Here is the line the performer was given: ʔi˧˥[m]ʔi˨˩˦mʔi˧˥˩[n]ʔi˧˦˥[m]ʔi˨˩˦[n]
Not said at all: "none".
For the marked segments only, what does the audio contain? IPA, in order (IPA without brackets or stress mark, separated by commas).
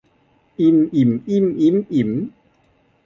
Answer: m, m, m, m